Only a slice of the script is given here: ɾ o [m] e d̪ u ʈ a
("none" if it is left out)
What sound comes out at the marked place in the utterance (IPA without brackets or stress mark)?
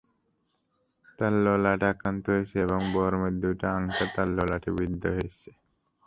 m